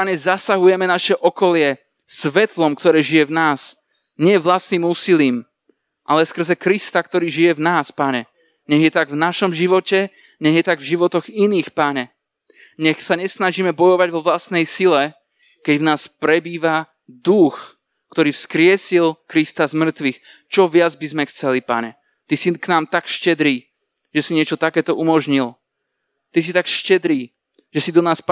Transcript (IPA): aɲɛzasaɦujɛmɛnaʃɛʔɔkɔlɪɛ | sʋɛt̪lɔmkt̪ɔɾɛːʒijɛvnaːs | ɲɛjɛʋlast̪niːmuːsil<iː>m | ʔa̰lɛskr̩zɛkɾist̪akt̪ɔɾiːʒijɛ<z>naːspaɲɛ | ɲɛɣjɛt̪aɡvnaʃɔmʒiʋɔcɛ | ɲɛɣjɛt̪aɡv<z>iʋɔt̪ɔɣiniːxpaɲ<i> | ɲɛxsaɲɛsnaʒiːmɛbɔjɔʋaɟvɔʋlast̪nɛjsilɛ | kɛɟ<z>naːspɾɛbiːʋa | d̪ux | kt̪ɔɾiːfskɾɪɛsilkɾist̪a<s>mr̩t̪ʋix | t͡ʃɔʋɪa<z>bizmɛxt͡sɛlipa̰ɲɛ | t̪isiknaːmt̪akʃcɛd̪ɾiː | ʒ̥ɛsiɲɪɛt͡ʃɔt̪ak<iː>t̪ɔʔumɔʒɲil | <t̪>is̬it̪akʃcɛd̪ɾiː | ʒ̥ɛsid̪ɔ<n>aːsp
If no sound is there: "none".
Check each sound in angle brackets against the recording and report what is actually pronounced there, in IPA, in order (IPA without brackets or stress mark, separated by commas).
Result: iː, v, ʒ, ɛ, v, z, d͡z, ɛː, t̪, n